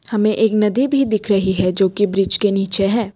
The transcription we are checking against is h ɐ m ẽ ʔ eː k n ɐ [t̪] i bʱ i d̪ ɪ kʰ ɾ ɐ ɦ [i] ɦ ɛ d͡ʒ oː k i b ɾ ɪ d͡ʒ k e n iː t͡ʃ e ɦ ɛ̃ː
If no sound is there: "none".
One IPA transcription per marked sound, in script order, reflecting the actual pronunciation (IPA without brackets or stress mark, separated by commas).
d̪, i